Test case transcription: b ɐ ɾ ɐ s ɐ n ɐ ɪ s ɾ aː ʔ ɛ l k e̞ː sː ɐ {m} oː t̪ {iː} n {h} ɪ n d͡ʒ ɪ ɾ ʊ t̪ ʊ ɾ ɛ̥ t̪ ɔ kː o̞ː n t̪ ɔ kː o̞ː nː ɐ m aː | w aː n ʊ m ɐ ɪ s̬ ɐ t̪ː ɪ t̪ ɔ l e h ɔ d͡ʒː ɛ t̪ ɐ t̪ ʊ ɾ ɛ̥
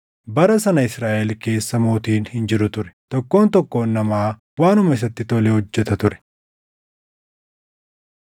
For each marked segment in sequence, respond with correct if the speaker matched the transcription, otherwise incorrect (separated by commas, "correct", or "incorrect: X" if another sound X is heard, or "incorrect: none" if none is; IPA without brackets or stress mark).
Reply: correct, correct, correct